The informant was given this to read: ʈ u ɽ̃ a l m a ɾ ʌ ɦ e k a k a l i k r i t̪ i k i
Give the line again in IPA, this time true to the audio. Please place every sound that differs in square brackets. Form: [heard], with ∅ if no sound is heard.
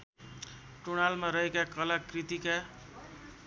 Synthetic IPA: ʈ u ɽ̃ a l m a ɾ ʌ ɦ e k a k [ʌ] l [a] k r i t̪ i k [a]